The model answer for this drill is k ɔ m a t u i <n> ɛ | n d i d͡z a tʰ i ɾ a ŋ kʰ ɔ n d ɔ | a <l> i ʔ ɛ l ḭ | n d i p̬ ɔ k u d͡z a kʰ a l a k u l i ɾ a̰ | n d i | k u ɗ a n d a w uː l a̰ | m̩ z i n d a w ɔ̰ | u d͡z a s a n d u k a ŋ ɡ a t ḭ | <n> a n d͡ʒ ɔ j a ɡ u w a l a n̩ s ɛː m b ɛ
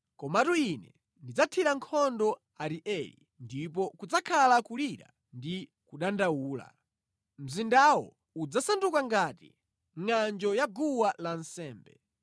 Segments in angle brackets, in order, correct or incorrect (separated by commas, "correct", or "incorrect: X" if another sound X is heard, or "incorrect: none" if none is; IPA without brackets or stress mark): correct, incorrect: ɾ, incorrect: ŋ